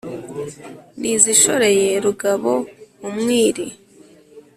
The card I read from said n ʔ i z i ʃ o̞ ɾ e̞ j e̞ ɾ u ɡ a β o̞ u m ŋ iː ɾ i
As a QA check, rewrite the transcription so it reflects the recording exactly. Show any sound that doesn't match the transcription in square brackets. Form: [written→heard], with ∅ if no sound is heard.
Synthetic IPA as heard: n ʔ i z i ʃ o̞ ɾ e̞ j e̞ ɾ u ɡ a β o̞ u m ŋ iː ɾ i